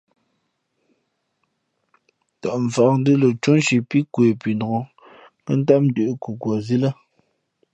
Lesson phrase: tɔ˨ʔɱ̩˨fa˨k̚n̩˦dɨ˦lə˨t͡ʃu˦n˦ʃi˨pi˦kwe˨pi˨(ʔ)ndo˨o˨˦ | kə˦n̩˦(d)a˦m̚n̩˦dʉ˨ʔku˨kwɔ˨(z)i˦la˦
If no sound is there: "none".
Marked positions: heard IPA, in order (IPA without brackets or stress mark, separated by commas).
none, t, z